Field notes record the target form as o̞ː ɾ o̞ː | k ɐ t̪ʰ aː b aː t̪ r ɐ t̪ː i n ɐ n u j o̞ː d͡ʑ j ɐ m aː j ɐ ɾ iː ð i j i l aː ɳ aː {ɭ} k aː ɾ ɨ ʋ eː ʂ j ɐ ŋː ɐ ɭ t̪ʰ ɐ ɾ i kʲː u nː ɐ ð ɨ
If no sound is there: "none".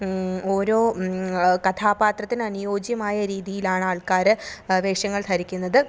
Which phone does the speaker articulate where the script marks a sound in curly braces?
ɭ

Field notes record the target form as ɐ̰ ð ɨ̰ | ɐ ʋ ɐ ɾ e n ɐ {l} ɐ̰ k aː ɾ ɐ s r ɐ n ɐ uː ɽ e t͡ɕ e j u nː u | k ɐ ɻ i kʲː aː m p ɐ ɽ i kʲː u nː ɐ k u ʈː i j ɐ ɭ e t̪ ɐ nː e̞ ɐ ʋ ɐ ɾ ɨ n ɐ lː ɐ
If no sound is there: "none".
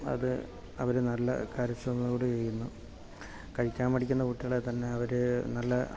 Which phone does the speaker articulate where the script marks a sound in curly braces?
lː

